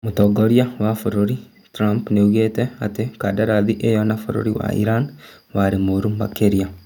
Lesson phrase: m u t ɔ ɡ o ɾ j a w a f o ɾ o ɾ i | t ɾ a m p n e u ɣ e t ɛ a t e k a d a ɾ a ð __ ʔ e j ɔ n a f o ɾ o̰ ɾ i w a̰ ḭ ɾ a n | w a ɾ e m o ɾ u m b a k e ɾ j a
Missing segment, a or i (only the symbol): i